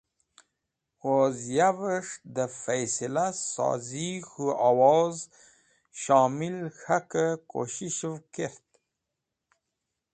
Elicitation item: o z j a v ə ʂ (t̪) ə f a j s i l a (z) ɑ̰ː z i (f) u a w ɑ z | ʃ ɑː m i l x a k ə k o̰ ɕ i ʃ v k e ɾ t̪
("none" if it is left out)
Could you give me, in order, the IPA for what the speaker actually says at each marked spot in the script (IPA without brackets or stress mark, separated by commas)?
d̪, s, x